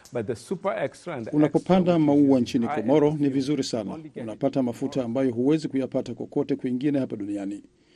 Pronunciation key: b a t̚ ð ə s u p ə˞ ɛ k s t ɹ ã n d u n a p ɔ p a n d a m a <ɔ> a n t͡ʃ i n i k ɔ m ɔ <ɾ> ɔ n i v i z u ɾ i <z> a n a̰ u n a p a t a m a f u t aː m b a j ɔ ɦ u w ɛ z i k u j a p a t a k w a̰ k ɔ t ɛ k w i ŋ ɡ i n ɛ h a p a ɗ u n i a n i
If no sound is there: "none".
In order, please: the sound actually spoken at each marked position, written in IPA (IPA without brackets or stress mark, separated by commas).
u, ɾ, s